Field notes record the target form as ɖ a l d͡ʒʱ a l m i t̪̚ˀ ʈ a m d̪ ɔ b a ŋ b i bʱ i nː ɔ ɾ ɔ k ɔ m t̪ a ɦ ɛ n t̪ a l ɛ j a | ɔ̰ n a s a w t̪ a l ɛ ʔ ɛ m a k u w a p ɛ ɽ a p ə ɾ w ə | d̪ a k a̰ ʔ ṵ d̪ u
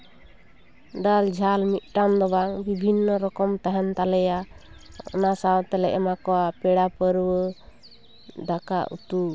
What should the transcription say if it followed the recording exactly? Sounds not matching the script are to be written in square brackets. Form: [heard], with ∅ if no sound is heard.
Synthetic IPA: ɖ a l d͡ʒʱ a l m i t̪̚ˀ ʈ a m d̪ ɔ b a ŋ b i bʱ i nː ɔ ɾ ɔ k ɔ m t̪ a ɦ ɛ n t̪ a l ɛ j a | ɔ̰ n a s a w t̪ [ɛ] l ɛ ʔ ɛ m a k [ɔ] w a p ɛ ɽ a p ə ɾ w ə | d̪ a k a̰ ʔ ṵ [t̪] u

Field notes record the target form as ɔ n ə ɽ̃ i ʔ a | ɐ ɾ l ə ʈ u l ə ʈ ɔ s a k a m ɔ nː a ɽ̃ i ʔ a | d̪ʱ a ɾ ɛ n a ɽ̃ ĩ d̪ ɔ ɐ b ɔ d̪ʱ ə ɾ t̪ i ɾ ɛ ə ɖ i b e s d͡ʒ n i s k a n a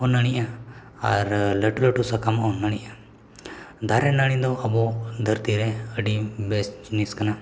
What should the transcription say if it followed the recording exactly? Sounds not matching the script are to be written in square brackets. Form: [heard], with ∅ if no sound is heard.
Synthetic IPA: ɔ n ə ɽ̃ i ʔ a | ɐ ɾ l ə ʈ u l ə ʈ [u] s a k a m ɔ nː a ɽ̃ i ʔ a | d̪ʱ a ɾ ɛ n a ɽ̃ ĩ d̪ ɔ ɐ b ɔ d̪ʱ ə ɾ t̪ i ɾ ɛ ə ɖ i b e s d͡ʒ n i s k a n a

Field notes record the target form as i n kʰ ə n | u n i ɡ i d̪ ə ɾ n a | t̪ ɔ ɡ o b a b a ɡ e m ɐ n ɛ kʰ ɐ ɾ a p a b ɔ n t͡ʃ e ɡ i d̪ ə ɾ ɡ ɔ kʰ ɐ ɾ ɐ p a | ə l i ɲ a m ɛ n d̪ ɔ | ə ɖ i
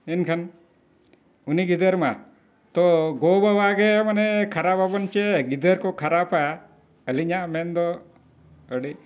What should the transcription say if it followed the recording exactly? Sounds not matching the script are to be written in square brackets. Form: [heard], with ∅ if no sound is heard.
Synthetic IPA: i n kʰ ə n | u n i ɡ i d̪ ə ɾ [m] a | t̪ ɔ ɡ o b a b a ɡ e m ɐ n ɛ kʰ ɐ ɾ a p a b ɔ n t͡ʃ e ɡ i d̪ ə ɾ [k] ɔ kʰ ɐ ɾ [a] p a | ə l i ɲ a m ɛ n d̪ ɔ | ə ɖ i

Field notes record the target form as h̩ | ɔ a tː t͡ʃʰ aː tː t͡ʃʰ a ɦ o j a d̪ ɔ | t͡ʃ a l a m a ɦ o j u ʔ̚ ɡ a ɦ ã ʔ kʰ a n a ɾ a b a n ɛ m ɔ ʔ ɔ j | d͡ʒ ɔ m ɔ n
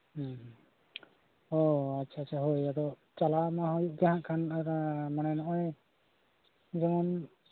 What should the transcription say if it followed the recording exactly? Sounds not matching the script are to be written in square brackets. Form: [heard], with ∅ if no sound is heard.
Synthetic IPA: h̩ | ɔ a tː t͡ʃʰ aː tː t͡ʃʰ a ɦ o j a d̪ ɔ | t͡ʃ a l a m a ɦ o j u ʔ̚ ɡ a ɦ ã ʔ kʰ a n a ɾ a [m] a n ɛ [n] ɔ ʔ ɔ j | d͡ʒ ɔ m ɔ n

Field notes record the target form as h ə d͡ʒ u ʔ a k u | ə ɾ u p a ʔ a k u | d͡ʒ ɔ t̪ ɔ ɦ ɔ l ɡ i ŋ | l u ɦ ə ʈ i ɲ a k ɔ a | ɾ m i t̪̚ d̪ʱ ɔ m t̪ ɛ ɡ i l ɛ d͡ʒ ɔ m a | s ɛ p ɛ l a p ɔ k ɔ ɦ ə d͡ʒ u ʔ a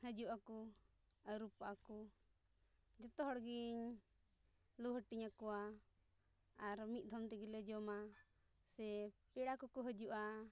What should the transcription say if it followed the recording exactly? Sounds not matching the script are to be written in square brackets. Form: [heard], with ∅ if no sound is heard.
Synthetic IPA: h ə d͡ʒ u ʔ a k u | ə ɾ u p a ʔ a k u | d͡ʒ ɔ t̪ ɔ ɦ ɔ [ɽ] ɡ i [ɲ] | l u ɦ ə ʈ i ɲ a k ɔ a | ɾ m i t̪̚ d̪ʱ ɔ m t̪ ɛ ɡ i l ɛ d͡ʒ ɔ m a | s ɛ p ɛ [ɽ] a [k] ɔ k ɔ ɦ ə d͡ʒ u ʔ a

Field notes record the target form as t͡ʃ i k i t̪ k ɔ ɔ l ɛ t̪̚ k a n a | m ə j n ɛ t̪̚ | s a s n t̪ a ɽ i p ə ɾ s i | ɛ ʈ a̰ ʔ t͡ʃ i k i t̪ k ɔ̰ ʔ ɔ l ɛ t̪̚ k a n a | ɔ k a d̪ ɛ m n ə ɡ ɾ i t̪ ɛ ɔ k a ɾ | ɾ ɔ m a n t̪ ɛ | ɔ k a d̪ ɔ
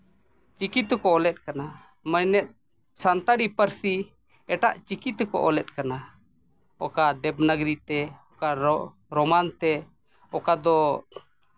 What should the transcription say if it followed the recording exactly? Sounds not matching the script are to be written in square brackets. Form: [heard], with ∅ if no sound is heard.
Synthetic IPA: t͡ʃ i k i t̪ k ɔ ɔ l ɛ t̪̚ k a n a | m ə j n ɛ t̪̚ | s a [∅] n t̪ a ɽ i p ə ɾ s i | ɛ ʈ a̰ ʔ t͡ʃ i k i t̪ k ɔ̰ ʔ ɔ l ɛ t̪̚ k a n a | ɔ k a d̪ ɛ [b] n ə ɡ ɾ i t̪ ɛ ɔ k a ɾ | ɾ ɔ m a n t̪ ɛ | ɔ k a d̪ ɔ

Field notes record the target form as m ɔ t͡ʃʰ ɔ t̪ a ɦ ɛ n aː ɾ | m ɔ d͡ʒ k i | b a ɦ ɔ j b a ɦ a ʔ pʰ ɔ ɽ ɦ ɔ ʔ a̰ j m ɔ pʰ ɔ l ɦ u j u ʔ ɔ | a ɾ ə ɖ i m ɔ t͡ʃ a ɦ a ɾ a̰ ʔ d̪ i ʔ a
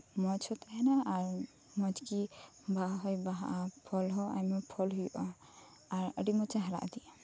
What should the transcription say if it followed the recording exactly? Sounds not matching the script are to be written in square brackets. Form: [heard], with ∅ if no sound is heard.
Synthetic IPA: m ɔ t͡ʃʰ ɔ t̪ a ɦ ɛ n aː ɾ | m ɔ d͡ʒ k i | b a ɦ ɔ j b a ɦ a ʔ pʰ ɔ [l] ɦ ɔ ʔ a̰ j m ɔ pʰ ɔ l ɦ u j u ʔ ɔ | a ɾ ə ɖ i m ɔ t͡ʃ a ɦ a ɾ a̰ ʔ d̪ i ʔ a

